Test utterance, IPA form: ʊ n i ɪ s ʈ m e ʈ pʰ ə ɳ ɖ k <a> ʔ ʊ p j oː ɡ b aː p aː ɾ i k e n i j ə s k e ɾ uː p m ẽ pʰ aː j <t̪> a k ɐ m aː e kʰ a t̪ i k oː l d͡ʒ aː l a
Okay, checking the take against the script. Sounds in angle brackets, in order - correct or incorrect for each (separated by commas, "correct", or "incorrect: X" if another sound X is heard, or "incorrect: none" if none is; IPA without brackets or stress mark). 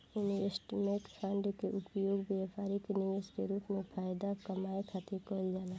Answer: incorrect: e, incorrect: d̪